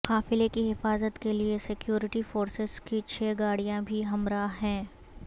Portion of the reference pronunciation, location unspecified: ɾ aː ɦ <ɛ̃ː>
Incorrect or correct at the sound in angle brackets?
correct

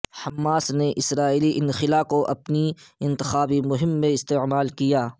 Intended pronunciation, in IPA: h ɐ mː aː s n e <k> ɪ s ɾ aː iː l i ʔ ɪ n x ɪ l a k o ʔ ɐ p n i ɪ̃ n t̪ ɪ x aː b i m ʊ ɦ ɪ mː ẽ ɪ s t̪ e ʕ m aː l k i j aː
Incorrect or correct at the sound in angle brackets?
incorrect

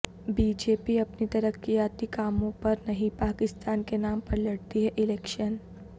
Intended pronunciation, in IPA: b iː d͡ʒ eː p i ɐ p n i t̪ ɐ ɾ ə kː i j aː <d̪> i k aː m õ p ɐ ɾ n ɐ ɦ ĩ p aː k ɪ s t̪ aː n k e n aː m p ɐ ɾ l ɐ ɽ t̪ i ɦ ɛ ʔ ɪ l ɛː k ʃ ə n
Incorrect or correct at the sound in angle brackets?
incorrect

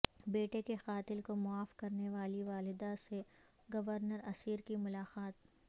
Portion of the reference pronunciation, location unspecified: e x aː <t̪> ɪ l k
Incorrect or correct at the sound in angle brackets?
correct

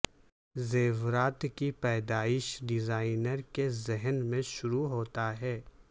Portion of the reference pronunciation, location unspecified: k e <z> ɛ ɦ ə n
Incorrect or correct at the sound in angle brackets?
correct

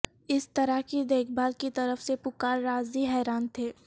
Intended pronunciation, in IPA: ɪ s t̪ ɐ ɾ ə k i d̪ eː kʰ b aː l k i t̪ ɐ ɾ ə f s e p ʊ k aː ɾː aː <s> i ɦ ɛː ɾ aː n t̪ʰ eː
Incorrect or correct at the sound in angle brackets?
incorrect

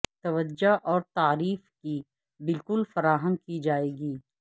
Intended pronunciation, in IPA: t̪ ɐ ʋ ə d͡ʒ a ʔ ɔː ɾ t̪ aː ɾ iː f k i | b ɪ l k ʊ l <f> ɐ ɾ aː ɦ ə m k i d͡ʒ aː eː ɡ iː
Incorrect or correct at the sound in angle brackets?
correct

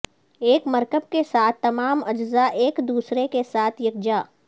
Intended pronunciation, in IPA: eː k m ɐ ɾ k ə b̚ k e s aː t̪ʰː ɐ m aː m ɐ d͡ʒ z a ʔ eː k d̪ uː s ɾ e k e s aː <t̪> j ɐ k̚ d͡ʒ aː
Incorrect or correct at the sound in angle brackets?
incorrect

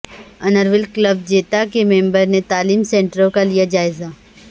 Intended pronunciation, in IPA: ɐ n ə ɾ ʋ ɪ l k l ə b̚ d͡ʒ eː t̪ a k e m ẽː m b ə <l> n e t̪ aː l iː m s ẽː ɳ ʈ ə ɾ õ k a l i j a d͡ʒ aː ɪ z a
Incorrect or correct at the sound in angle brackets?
incorrect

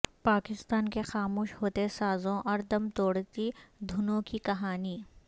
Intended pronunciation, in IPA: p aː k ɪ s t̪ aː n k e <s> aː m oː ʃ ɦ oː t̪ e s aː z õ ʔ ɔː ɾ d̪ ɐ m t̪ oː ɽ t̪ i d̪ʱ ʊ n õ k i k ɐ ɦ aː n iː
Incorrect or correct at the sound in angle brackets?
incorrect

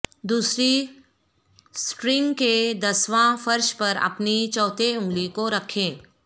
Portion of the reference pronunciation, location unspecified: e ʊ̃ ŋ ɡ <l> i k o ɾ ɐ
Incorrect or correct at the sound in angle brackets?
correct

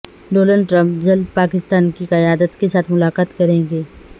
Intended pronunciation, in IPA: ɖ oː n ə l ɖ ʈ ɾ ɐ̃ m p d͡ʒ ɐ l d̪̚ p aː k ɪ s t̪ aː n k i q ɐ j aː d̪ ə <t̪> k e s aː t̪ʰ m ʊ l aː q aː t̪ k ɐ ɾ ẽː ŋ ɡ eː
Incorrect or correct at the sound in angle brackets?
correct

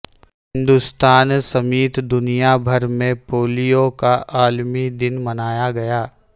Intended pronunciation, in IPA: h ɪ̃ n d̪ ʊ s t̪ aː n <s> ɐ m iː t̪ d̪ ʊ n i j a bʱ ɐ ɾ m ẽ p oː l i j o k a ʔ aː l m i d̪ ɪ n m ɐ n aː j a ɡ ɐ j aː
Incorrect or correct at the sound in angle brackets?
correct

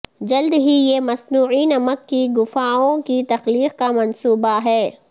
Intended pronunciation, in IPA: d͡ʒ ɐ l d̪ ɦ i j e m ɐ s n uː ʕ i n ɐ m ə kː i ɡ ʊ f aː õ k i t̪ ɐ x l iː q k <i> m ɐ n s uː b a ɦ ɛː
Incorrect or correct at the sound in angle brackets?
incorrect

